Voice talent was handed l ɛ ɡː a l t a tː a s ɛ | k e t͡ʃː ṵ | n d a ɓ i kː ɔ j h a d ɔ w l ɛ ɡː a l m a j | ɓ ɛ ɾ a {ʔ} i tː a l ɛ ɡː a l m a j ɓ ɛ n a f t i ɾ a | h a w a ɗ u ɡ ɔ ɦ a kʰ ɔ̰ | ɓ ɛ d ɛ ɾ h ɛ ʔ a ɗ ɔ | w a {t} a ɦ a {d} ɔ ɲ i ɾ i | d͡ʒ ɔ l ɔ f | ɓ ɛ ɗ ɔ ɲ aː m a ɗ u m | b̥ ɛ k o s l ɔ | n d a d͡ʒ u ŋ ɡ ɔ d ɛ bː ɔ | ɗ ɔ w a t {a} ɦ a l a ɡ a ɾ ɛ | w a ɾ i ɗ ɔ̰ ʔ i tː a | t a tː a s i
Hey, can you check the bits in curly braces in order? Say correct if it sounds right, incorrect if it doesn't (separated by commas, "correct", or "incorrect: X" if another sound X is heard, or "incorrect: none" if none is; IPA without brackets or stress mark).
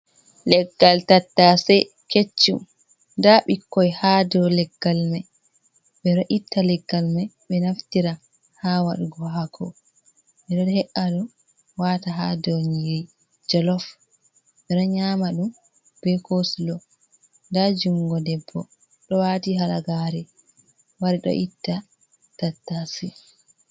correct, correct, correct, incorrect: i